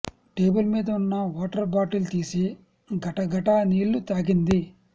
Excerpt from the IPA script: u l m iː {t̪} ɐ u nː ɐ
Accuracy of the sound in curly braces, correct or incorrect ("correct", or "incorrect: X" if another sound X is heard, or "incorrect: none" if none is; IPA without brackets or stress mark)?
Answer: incorrect: d̪